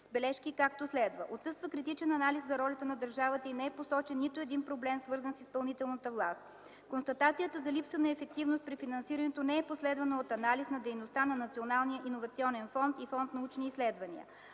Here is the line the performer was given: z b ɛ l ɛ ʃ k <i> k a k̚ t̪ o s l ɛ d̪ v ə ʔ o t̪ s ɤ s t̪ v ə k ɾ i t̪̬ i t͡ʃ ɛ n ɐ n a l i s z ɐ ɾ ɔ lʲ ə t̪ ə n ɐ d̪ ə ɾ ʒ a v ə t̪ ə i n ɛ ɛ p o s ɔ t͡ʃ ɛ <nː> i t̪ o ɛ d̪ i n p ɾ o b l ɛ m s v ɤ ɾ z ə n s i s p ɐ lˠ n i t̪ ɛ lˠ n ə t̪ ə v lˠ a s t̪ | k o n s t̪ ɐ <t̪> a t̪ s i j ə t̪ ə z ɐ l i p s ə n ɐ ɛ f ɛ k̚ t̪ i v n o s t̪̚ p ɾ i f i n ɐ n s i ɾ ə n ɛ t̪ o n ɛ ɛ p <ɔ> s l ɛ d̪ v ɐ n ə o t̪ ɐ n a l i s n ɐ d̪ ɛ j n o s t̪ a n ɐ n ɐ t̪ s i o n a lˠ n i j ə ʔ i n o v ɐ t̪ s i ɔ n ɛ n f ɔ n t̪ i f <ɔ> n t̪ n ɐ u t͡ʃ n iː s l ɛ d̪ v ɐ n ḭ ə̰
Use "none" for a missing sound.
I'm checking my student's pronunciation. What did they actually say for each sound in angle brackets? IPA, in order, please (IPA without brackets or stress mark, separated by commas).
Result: i, nː, t̪, o, ɔ